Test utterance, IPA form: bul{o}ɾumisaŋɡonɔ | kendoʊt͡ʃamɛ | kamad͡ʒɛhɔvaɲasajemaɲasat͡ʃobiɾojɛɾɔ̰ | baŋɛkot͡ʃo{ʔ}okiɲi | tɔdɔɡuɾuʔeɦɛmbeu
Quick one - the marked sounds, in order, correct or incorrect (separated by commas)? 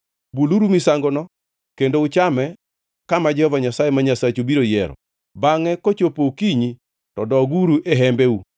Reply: incorrect, incorrect